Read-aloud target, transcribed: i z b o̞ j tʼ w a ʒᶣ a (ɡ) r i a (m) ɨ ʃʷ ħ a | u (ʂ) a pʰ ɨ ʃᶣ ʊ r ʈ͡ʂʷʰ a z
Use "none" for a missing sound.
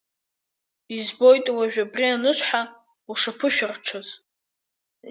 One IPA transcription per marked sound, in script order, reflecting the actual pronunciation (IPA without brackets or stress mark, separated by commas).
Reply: b, n, ʂ